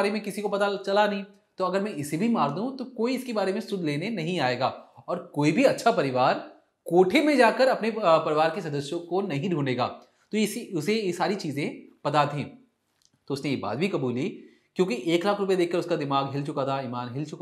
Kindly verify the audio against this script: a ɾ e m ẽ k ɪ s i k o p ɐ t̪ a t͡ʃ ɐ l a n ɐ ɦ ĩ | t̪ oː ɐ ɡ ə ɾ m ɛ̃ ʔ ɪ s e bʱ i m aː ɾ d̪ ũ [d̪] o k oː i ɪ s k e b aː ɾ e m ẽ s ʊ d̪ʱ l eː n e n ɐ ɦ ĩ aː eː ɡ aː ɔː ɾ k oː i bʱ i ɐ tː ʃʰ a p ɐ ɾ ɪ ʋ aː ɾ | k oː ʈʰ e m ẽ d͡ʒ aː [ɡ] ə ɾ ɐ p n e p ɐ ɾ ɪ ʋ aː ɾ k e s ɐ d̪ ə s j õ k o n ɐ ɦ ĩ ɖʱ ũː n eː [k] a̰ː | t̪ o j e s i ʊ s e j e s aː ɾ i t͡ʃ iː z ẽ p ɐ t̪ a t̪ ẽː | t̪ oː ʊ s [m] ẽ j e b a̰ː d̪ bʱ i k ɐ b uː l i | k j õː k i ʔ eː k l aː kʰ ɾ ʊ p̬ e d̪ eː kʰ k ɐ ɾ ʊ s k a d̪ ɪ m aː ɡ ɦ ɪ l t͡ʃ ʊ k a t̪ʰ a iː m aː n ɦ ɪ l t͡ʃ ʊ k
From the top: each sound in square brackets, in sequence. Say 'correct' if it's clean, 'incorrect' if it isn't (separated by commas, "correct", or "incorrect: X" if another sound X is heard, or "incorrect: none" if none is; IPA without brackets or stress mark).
incorrect: t̪, incorrect: k, incorrect: ɡ, incorrect: n